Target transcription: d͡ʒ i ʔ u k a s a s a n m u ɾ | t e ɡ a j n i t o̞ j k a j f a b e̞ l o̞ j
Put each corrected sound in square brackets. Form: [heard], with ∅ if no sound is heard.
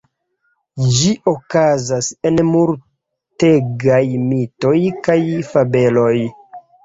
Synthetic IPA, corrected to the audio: d͡ʒ i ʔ [o] k a [z] a s [e] n m u ɾ | t e ɡ a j [m] i t o̞ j k a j f a b e̞ l o̞ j

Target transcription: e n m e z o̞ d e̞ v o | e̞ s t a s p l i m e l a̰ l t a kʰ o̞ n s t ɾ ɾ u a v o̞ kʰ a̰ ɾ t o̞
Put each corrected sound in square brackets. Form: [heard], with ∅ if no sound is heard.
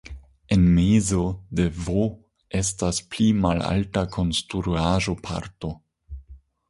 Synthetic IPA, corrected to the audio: e n m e z o̞ d e̞ v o | e̞ s t a s p l i m [a] l a̰ l t a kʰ o̞ n s t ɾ ɾ u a [ʒ] o̞ [pʰ] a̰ ɾ t o̞

